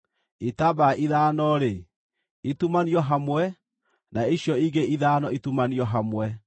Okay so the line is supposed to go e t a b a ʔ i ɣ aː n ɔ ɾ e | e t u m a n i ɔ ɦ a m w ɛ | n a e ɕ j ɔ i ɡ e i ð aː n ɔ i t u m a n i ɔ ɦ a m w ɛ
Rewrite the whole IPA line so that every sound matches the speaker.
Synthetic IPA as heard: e t a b a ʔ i ð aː n ɔ ɾ e | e t u m a n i ɔ ɦ a m w ɛ | n a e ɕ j ɔ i ɡ e i ð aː n ɔ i t u m a n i ɔ ɦ a m w ɛ

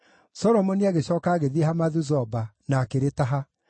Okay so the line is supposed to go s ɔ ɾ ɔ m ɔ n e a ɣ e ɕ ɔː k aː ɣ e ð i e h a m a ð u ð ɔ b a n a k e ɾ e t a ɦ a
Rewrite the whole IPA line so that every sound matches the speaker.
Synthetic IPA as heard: s ɔ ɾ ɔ m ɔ n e a ɣ e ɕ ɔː k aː ɣ e ð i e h a m a ð u z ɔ b a n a k e ɾ e t a ɦ a

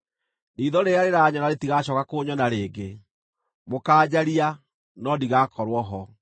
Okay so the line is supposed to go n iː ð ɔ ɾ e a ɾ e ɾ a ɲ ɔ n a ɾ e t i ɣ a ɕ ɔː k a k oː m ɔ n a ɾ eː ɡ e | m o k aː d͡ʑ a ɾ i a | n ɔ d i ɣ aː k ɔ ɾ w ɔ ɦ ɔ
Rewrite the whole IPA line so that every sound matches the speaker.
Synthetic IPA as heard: n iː ð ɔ ɾ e a ɾ e ɾ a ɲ ɔ n a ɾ e t i ɣ a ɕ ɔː k a k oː ɲ ɔ n a ɾ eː ɡ e | m o k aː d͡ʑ a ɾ i a | n ɔ d i ɣ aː k ɔ ɾ w ɔ ɦ ɔ

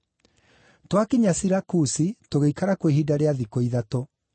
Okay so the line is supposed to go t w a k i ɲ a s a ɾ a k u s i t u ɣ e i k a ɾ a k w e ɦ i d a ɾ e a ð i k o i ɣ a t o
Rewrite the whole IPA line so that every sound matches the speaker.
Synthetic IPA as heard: t w a k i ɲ a s i ɾ a k u s i t o ɣ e i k a ɾ a k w e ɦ i d a ɾ e a ð i k o i ð a t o

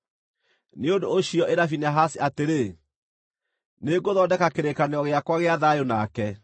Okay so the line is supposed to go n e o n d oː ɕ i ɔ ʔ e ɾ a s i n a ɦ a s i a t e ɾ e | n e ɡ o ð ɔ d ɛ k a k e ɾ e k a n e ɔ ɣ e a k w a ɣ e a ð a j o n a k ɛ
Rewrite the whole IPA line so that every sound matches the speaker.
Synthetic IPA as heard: n e o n d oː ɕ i ɔ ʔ e ɾ a f i n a ɦ a s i a t e ɾ e | n e ɡ o ð ɔ d ɛ k a k e ɾ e k a n e ɔ ɣ e a k w a ɣ e a ð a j o n a k ɛ

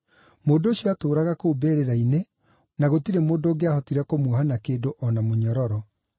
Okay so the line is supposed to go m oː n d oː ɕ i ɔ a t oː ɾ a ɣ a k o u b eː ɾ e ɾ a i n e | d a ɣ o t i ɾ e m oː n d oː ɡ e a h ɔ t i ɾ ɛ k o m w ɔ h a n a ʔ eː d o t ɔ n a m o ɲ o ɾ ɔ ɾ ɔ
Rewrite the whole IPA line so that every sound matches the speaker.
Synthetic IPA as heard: m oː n d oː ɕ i ɔ a t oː ɾ a ɣ a k o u b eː ɾ e ɾ a i n e | n a ɣ o t i ɾ e m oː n d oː ɡ e a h ɔ t i ɾ ɛ k o m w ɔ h a n a k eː d o ʔ ɔ n a m o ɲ ɔ ɾ ɔ ɾ ɔ

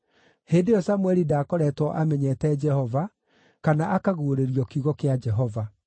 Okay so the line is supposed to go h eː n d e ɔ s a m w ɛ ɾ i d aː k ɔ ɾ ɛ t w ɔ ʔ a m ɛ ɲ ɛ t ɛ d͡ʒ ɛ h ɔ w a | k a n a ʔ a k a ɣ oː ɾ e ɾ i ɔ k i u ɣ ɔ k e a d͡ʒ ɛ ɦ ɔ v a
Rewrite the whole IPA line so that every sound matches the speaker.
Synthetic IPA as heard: h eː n d e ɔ s a m w ɛ ɾ i d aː k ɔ ɾ ɛ t w ɔ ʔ a m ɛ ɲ ɛ t ɛ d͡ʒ ɛ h ɔ v a | k a n a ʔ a k a ɣ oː ɾ e ɾ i ɔ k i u ɣ ɔ k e a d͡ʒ ɛ ɦ ɔ v a

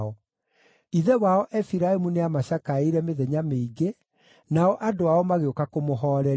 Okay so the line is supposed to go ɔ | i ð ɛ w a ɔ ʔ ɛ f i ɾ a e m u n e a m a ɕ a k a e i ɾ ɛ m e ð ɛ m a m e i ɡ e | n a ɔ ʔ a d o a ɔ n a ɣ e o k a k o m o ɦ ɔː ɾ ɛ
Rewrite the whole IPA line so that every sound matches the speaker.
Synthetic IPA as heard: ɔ | i ð ɛ w a ɔ ʔ ɛ f i ɾ a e m u n e a m a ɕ a k a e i ɾ ɛ m e ð ɛ ɲ a m e i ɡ e | n a ɔ ʔ a d o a ɔ m a ɣ e o k a k o m o ɦ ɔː ɾ ɛ

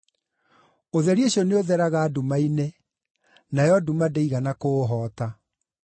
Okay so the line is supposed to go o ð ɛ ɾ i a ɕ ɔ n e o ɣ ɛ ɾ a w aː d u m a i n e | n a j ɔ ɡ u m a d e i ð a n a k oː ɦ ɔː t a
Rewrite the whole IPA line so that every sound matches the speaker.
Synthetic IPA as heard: o ð ɛ ɾ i e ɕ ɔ n e o ð ɛ ɾ a ɣ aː d u m a i n e | n a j ɔ d u m a d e i ɣ a n a k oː ɦ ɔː t a

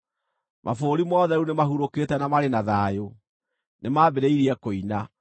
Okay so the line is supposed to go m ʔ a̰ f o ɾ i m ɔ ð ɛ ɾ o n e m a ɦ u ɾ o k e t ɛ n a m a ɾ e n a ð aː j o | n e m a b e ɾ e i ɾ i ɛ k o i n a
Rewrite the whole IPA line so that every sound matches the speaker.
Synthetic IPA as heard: m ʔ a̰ f o ɾ i m ɔ ð ɛ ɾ u n e m a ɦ u ɾ o k e t ɛ n a m a ɾ e n a ð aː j o | n e m a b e ɾ e i ɾ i ɛ k o i n a

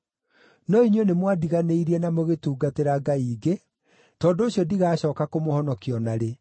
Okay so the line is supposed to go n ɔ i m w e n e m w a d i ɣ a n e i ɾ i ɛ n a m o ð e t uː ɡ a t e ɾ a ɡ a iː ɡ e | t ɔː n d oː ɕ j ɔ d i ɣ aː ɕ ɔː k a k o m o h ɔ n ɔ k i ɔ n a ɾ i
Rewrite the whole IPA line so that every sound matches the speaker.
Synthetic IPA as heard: n ɔ i ɲ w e n e m w a d i ɣ a n e i ɾ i ɛ n a m o ɣ e t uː ɡ a t e ɾ a ɡ a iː ɡ e | t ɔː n d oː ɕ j ɔ d i ɣ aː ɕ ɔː k a k o m o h ɔ n ɔ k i ɔ n a ɾ e

